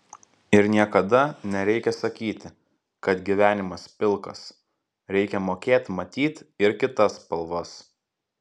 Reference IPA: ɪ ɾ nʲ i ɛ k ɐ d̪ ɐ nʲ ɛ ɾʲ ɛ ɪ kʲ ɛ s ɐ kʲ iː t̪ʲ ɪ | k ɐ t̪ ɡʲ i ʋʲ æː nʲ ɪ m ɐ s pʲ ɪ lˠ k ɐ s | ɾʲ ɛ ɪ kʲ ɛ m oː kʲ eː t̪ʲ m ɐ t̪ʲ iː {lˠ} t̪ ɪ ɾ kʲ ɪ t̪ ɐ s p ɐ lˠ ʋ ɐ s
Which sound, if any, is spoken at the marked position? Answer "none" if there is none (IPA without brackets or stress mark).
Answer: none